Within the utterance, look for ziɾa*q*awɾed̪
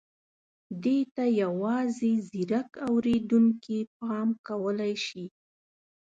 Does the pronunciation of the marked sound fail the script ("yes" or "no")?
yes